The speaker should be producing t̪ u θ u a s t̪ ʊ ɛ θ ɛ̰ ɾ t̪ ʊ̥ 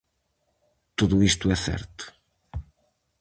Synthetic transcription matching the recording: t̪ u ð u i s t̪ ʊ ɛ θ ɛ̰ ɾ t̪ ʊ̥